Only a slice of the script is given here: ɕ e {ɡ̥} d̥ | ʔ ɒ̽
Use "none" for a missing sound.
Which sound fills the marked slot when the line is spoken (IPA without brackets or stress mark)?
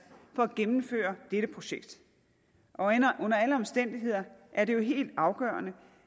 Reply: ɡ̥